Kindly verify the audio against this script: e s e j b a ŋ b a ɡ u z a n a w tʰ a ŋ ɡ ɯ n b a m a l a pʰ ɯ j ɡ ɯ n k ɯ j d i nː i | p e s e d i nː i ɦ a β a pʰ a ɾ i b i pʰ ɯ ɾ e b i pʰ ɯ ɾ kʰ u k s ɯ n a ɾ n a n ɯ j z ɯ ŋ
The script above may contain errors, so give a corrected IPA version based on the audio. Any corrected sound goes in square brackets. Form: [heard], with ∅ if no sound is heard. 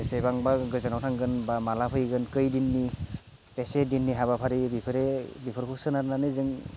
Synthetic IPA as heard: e s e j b a ŋ b a ɡ [ɯ] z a n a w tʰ a ŋ ɡ ɯ n b a m a l a pʰ ɯ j ɡ ɯ n k ɯ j d i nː i | p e s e d i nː i ɦ a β a pʰ a ɾ i b i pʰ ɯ ɾ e b i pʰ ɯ ɾ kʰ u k s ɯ n a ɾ n a n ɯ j z ɯ ŋ